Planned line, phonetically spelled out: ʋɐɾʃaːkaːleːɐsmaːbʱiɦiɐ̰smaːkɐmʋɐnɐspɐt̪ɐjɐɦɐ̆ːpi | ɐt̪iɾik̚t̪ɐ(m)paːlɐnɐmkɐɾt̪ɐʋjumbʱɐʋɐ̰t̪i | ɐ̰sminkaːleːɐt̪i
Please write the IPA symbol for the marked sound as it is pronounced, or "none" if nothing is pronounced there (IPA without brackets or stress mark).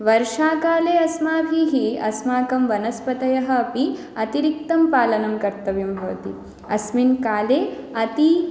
m